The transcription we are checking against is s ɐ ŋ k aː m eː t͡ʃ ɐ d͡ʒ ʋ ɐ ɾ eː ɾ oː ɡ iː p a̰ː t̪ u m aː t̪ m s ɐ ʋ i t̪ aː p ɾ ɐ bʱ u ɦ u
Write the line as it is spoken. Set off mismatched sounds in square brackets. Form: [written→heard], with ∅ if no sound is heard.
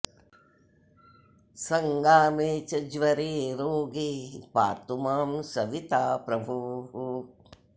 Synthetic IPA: s ɐ ŋ [k→ɡ] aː m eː t͡ʃ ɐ d͡ʒ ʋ ɐ ɾ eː ɾ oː ɡ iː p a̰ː t̪ u m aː [t̪→∅] m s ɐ ʋ i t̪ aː p ɾ ɐ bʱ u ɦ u